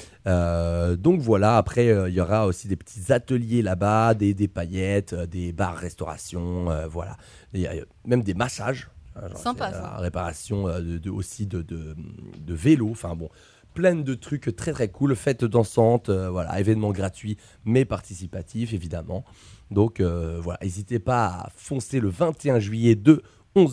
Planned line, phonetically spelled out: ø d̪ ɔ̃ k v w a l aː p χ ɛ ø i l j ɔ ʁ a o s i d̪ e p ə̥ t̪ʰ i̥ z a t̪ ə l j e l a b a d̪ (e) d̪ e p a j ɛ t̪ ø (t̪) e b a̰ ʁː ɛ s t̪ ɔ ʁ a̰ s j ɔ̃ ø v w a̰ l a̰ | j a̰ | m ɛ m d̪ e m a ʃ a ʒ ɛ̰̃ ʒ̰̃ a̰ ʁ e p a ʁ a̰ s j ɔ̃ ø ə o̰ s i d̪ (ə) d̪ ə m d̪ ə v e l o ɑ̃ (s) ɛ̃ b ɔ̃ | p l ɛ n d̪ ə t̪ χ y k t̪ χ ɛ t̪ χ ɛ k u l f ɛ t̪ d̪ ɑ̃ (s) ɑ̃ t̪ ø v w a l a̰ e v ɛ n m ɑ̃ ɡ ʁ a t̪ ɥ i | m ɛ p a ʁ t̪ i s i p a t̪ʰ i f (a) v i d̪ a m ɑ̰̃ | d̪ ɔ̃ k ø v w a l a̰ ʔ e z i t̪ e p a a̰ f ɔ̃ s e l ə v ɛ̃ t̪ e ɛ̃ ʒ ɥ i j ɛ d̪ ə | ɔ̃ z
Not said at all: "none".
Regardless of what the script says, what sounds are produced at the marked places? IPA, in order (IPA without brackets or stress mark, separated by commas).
e, d̪, ə, f, s, e